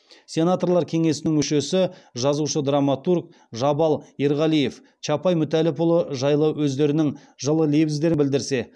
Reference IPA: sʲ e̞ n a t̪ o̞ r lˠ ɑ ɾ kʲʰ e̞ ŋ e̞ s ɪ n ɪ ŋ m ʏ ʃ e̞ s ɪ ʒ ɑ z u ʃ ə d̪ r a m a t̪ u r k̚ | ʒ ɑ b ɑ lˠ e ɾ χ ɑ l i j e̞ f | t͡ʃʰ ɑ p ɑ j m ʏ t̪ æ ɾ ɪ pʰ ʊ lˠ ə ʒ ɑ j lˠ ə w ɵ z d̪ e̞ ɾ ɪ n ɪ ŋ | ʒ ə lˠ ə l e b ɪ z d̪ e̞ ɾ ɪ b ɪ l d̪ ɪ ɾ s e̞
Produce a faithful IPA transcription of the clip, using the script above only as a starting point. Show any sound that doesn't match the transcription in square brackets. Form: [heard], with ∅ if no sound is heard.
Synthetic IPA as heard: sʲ e̞ n a t̪ o̞ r lˠ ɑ ɾ kʲʰ e̞ ŋ e̞ s ɪ n ɪ ŋ m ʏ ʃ e̞ s ɪ ʒ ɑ z u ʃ ə d̪ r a m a t̪ u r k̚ | ʒ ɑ b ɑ lˠ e ɾ [ʁ] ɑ l i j e̞ f | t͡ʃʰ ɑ p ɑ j m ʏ t̪ æ [l] ɪ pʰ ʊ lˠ ə ʒ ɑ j lˠ ə w ɵ z d̪ e̞ ɾ ɪ n ɪ ŋ | ʒ ə lˠ ə l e b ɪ z d̪ e̞ ɾ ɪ b ɪ l d̪ ɪ ɾ s e̞